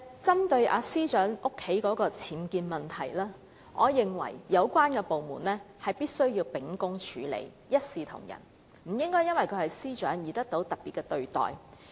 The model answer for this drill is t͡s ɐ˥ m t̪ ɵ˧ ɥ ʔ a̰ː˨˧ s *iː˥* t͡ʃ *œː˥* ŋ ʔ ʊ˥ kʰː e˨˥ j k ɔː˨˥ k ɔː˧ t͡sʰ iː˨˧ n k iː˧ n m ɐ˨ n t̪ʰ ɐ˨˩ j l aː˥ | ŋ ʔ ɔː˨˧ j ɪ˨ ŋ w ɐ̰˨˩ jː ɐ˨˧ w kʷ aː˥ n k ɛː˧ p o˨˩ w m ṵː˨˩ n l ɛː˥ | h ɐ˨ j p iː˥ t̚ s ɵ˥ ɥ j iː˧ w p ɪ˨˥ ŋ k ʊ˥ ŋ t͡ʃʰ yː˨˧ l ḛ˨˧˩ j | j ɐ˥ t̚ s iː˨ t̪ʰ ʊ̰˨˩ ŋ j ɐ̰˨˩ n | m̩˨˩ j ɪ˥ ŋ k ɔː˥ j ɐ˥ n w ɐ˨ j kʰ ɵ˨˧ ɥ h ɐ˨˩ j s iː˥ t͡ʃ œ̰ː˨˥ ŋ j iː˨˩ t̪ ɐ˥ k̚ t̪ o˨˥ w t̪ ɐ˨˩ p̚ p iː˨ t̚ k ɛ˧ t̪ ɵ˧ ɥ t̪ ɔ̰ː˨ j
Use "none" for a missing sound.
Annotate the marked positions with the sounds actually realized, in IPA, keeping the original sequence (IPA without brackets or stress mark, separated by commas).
iː˥, œː˨˥